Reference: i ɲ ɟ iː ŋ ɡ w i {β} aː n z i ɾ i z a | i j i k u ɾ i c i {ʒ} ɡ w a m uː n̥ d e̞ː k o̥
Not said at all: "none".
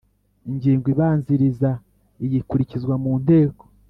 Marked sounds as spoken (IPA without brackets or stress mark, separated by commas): β, z